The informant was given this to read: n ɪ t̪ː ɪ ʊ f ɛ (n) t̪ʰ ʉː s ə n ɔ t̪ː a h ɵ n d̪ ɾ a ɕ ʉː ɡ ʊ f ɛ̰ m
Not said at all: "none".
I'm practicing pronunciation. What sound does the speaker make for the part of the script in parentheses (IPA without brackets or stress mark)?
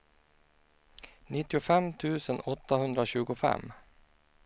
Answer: m